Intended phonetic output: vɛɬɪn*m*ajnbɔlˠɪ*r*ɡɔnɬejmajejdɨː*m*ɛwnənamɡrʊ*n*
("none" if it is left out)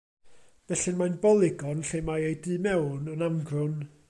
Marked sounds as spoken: m, none, m, n

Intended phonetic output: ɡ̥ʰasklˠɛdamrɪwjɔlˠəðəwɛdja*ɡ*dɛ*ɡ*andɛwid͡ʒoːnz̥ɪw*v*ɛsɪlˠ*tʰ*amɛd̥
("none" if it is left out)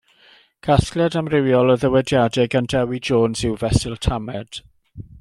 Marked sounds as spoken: none, ɡ, v, tʰ

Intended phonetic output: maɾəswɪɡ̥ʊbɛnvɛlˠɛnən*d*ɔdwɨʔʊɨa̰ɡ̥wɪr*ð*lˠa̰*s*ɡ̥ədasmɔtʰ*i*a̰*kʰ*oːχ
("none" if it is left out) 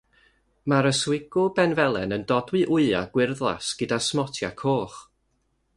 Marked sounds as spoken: d, ð, s, j, kʰ

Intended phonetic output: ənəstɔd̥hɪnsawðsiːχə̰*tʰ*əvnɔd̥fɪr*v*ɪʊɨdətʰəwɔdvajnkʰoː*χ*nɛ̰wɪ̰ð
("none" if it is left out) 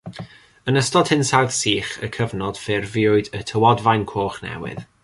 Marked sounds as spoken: kʰ, v, χ

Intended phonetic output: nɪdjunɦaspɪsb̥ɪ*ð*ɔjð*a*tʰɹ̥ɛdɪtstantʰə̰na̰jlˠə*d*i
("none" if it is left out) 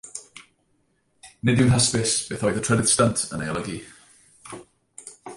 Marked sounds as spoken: θ, ə, ɡ

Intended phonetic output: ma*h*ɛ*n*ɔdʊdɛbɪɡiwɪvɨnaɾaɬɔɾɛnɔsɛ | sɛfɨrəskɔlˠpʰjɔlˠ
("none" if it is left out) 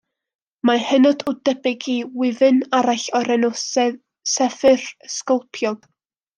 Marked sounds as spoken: h, n

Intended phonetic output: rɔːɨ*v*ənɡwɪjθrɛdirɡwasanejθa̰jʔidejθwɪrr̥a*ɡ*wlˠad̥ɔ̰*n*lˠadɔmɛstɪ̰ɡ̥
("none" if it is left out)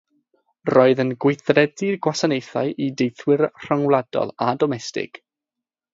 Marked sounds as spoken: ð, ŋ, none

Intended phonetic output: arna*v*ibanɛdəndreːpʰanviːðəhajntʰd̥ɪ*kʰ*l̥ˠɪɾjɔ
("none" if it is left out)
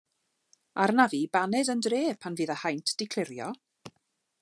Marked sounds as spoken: v, kʰ

